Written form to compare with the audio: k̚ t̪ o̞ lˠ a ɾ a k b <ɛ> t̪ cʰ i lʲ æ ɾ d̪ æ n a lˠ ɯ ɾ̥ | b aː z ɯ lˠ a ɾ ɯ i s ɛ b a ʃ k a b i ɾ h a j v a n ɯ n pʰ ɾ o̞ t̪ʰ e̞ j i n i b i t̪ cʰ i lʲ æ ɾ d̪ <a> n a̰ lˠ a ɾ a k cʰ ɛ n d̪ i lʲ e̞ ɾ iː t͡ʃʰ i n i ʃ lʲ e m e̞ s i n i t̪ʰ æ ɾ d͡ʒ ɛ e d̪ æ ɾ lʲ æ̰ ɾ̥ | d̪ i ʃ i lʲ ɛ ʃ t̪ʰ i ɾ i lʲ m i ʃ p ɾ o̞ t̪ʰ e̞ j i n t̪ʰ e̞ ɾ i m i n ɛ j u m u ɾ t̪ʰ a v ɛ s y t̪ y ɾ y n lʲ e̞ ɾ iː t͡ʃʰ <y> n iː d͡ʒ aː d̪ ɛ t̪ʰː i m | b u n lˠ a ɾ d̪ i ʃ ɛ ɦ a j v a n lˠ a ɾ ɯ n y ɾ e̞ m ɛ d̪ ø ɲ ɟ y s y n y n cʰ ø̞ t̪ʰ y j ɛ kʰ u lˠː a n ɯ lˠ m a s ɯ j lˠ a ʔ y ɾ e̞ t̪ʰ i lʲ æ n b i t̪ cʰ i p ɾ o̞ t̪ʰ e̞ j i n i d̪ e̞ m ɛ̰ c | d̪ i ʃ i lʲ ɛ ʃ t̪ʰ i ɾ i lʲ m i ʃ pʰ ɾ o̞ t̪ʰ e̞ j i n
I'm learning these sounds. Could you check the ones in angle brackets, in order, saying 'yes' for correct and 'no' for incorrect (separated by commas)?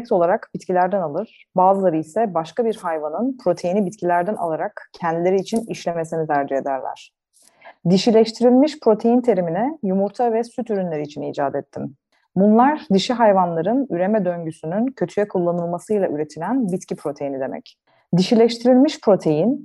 no, no, no